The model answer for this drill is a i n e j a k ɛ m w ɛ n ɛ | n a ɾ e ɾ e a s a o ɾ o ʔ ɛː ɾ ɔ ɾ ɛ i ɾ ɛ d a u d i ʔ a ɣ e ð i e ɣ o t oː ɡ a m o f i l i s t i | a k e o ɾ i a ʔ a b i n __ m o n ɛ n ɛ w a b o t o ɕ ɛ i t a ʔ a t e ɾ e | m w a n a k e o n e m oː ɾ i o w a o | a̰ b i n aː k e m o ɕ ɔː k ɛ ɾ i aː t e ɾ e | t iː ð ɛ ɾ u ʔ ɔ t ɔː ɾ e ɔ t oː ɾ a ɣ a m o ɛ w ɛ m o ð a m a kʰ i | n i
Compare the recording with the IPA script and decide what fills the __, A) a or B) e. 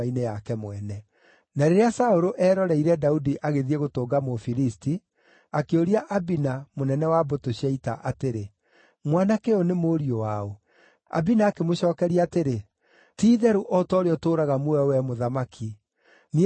A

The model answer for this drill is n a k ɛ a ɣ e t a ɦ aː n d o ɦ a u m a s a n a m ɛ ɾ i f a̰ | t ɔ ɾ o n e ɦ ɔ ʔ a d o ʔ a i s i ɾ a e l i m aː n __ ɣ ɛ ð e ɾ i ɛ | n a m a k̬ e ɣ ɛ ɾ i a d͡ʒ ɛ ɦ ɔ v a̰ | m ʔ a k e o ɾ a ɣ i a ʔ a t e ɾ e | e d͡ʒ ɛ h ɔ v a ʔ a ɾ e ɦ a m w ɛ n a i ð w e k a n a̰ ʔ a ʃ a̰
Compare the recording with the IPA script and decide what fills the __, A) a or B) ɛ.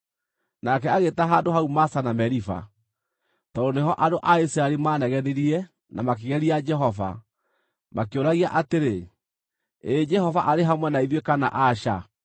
B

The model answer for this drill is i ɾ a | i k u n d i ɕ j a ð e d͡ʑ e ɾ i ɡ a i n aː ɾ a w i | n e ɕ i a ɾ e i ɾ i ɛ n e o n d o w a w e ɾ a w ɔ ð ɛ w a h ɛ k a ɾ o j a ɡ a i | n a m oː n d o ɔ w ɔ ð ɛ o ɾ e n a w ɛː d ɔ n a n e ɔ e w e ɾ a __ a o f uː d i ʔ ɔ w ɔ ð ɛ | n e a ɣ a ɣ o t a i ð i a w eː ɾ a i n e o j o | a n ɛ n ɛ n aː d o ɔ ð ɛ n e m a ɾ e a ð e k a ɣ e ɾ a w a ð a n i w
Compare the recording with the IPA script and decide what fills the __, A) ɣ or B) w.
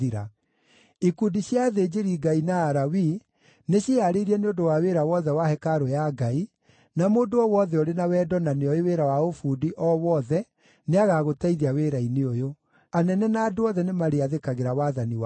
B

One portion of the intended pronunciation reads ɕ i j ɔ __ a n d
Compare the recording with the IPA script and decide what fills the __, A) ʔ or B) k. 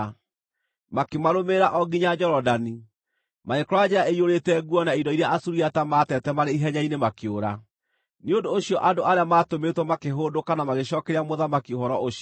A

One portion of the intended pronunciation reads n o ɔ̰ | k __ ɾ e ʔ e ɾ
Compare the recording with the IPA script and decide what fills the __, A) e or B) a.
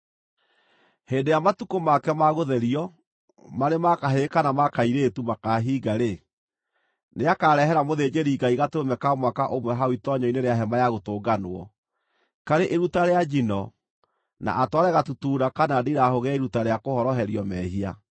B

